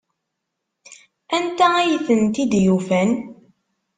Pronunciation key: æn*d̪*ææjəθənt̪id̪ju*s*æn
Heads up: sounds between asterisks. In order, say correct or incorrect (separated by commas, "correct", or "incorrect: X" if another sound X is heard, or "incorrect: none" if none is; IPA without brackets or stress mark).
incorrect: t̪, incorrect: f